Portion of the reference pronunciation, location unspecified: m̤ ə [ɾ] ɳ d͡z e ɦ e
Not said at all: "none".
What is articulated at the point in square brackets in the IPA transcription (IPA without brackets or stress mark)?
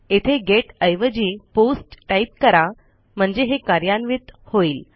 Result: none